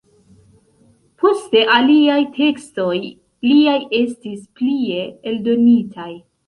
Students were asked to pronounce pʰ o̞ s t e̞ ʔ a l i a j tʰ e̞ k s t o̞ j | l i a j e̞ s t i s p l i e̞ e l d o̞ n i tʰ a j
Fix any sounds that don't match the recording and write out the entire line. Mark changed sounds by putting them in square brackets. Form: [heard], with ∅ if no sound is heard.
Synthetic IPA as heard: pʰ o̞ s t e̞ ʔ a l i a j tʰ e̞ k s t o̞ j | l i a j e̞ s t i s p l i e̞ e l d o̞ n i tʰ a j